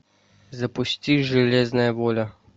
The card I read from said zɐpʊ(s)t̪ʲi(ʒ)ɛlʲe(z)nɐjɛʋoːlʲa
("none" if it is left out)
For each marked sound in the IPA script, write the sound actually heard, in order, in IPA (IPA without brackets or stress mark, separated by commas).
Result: s, ʒ, z